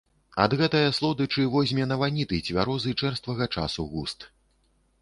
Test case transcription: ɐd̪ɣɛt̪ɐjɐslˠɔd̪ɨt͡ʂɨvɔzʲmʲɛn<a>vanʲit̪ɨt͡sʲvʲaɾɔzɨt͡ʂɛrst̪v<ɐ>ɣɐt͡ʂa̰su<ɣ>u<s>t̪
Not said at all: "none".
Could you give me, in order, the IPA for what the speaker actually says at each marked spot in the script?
ɐ, ɐ, ɣ, s

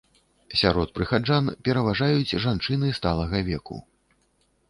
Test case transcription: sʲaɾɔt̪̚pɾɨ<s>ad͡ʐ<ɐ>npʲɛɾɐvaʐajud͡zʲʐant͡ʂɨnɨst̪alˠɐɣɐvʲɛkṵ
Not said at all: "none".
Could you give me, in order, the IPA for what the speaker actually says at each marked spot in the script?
x, a

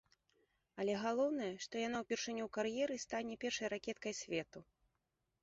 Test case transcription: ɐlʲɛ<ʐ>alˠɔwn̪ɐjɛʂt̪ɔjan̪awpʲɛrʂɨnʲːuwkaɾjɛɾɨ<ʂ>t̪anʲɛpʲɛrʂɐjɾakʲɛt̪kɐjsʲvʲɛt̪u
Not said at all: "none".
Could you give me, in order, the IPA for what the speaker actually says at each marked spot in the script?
ɣ, s

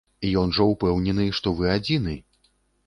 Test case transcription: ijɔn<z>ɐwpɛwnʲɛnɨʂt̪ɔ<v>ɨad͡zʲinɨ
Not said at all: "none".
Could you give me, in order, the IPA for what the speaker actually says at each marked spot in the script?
ʐ, v

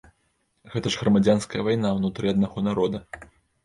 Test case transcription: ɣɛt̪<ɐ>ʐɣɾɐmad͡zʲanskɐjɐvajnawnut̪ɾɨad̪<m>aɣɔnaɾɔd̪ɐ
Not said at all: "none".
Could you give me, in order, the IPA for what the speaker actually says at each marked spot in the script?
ɐ, n

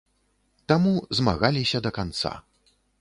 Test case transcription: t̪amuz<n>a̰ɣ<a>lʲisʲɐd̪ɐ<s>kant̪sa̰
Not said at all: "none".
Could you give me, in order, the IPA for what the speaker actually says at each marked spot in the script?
m, a, none

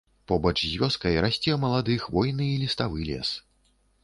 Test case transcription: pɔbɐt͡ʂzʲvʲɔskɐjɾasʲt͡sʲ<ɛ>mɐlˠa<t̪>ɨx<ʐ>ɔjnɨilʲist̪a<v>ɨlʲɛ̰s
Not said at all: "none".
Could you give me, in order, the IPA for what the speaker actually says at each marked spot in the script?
ɛ, d̪, v, v

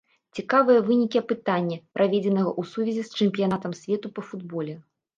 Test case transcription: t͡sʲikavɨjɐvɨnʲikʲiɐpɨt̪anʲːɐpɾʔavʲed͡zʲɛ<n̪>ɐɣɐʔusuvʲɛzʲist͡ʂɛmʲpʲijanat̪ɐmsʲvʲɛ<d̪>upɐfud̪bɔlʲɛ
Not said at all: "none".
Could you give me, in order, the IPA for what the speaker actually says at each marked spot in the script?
n̪, t̪

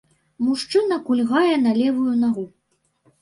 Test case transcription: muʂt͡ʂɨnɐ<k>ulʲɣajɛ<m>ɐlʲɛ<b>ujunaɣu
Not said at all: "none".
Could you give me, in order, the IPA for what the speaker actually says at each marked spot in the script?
k, n, v

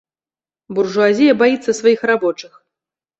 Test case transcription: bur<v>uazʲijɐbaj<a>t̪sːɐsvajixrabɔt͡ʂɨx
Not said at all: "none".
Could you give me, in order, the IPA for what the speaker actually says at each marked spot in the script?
ʐ, i

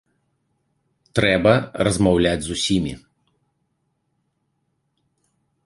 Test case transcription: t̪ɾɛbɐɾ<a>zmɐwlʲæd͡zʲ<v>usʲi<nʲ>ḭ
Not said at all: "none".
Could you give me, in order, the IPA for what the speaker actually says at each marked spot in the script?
ɐ, z, mʲ

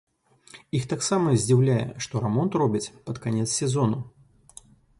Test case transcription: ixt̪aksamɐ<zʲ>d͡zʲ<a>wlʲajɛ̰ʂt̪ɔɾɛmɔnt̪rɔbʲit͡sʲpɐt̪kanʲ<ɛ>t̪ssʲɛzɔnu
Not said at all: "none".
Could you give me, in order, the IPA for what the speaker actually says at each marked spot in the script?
zʲ, i, ɛ

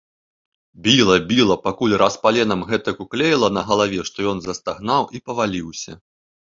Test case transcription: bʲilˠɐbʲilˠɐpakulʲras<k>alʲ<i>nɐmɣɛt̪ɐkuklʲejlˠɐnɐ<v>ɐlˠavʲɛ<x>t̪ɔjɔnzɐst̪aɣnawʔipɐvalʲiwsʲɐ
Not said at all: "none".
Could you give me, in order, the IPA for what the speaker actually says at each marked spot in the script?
p, ɛ, ɣ, ʂ

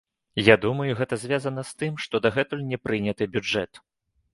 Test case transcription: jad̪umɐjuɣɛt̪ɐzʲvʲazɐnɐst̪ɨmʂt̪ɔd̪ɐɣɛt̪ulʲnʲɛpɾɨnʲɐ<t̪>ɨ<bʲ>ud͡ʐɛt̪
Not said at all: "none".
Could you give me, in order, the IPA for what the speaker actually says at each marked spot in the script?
t̪, bʲ

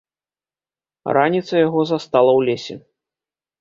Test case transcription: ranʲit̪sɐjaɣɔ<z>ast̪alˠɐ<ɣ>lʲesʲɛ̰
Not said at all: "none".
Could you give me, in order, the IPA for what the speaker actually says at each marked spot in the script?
z, w

